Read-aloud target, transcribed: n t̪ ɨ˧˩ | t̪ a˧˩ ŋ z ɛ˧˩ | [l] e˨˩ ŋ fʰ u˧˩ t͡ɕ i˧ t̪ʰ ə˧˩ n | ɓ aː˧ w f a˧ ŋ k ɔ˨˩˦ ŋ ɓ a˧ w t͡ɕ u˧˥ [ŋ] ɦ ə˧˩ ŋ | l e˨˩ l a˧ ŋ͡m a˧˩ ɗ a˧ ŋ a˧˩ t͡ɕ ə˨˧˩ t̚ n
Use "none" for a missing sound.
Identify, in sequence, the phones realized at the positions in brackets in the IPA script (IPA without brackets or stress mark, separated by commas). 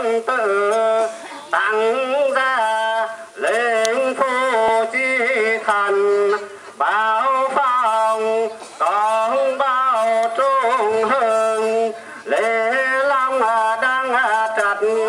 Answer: l, ŋ